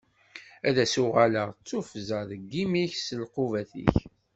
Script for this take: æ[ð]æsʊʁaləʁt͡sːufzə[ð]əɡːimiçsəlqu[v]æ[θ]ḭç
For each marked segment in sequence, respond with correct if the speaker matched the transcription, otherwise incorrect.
correct, correct, correct, correct

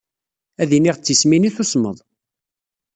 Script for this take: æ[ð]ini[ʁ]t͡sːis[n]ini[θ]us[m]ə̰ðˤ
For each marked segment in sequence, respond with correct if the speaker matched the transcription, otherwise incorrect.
correct, correct, incorrect: m, correct, correct

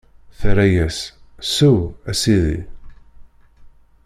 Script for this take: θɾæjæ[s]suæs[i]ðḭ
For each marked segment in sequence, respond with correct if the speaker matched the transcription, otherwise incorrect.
correct, correct

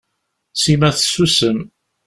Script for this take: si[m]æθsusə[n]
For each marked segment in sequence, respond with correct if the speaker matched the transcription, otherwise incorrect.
correct, incorrect: m

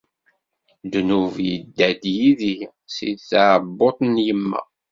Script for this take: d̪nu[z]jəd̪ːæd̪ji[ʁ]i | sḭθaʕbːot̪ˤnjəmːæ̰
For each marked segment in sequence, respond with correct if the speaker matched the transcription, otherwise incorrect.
incorrect: v, incorrect: ð

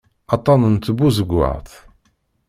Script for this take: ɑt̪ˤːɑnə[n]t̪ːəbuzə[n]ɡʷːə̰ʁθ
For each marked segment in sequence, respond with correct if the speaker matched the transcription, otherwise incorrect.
correct, incorrect: none

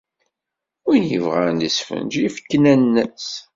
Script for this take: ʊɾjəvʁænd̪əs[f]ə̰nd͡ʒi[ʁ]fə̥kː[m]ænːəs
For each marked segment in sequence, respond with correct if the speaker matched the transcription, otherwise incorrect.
correct, incorrect: none, incorrect: n

